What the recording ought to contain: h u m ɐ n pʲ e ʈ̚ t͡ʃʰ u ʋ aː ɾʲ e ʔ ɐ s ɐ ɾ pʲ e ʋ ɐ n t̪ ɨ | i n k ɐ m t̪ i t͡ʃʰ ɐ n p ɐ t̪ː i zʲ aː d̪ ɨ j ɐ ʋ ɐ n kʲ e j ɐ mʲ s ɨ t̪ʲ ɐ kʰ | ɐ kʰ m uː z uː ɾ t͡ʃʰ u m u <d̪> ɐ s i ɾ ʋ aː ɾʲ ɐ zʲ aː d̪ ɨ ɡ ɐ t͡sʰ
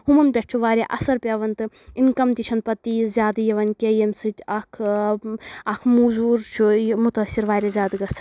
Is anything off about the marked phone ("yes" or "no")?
yes